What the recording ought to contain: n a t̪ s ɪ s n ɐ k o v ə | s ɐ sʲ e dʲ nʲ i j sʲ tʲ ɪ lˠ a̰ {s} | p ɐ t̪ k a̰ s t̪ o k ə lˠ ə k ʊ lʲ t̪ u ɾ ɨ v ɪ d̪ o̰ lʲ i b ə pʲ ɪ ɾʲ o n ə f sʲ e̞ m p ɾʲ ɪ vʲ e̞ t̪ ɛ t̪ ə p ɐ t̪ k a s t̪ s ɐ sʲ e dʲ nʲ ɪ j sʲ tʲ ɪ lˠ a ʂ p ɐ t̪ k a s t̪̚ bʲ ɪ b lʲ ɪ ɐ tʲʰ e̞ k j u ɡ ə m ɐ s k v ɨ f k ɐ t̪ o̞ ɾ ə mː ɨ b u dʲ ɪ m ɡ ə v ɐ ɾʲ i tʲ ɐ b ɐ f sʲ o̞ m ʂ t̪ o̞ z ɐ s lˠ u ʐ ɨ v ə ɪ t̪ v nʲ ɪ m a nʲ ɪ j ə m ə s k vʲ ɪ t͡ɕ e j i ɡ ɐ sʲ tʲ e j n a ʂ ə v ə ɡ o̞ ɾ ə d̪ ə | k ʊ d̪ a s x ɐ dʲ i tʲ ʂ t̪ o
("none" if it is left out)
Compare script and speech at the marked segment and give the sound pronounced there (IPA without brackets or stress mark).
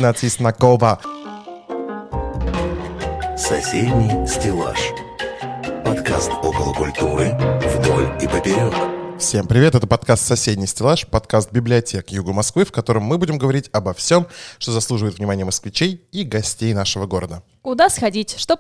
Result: ʂ